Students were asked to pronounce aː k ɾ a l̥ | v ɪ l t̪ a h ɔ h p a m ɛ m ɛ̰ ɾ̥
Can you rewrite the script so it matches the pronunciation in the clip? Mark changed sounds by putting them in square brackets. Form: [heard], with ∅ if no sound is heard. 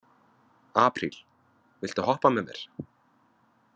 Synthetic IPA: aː [p] ɾ [i] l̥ | v ɪ l t̪ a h ɔ h p a m ɛ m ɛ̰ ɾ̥